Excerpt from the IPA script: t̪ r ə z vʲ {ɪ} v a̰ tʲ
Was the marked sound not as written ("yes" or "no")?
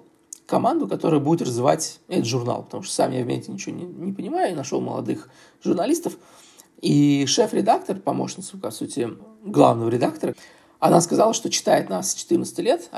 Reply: no